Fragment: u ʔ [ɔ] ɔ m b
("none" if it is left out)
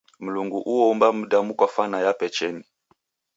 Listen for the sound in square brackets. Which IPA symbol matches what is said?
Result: u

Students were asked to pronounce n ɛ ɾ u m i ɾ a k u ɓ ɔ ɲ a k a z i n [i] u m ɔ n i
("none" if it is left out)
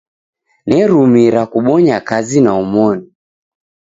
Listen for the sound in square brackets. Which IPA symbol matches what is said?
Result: a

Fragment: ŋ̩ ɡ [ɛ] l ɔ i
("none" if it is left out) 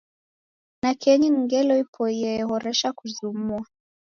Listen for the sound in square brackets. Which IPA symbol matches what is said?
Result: ɛ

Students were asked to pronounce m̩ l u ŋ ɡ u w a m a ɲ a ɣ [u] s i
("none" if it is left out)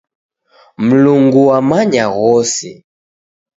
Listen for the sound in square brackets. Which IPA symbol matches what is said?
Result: ɔ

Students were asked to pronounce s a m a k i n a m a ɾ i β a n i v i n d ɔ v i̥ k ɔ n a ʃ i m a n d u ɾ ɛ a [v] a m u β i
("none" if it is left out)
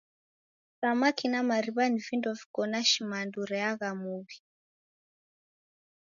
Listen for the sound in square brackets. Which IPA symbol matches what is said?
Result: ɣ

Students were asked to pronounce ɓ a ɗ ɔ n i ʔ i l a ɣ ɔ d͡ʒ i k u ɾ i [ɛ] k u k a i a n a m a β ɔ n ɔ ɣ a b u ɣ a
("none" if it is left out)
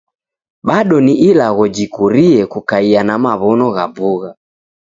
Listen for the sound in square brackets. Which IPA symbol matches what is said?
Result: ɛ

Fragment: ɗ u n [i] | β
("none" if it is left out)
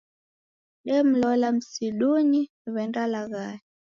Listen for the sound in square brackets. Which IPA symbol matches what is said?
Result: i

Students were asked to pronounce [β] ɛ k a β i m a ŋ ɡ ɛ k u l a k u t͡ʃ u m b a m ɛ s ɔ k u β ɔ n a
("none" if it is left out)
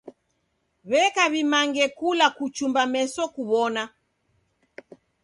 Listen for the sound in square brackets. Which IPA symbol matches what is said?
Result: β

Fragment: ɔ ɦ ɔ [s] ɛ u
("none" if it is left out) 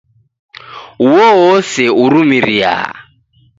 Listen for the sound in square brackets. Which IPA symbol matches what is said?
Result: s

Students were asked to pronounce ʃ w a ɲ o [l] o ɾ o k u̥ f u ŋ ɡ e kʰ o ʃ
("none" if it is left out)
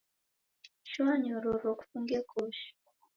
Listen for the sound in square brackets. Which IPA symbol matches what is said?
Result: ɾ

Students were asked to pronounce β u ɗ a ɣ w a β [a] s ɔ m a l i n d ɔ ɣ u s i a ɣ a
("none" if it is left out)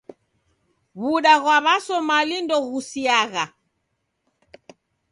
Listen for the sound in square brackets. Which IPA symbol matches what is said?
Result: a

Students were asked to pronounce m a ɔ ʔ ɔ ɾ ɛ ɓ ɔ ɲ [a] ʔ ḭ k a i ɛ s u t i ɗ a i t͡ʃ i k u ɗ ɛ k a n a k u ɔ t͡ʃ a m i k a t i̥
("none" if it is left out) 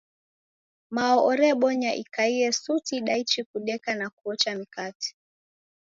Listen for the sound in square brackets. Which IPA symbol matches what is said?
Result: a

